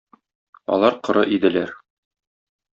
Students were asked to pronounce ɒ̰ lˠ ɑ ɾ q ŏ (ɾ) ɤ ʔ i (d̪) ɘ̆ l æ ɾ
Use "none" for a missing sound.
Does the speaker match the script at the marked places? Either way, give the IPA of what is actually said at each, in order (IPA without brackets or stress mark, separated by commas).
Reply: ɾ, d̪